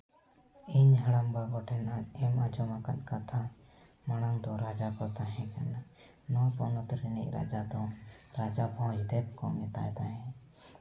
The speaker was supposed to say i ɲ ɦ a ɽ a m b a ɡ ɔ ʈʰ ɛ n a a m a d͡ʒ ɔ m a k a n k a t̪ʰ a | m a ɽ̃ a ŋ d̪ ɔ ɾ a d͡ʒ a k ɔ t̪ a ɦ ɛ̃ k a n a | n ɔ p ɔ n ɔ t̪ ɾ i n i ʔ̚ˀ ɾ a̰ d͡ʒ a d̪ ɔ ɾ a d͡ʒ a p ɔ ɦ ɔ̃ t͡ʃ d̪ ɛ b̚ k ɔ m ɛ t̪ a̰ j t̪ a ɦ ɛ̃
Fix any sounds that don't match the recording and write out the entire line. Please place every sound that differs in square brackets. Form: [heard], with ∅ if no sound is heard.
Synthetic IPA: i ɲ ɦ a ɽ a m b a ɡ ɔ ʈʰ ɛ n a [ɛ] m a d͡ʒ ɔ m a k a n k a t̪ʰ a | m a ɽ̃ a ŋ d̪ ɔ ɾ a d͡ʒ a k ɔ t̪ a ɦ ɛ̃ k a n a | n ɔ p ɔ n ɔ t̪ ɾ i n i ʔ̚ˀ ɾ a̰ d͡ʒ a d̪ ɔ ɾ a d͡ʒ a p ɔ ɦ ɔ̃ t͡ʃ d̪ ɛ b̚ k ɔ m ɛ t̪ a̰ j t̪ a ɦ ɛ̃